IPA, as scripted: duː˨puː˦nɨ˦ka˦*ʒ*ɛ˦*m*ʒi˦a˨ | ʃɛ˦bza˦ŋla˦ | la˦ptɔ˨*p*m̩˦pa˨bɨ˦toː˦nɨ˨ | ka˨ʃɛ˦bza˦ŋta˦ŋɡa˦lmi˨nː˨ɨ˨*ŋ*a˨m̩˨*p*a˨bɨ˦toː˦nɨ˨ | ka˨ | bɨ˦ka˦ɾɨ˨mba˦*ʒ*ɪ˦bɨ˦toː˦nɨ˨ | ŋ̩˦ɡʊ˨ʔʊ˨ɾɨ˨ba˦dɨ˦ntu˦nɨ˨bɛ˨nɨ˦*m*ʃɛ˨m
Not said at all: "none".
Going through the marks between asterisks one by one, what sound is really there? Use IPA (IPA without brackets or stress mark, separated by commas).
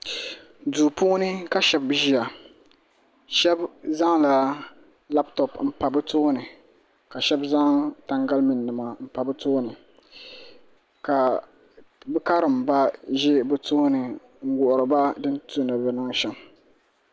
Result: ʃ, b, p, m, p, ʒ, ŋ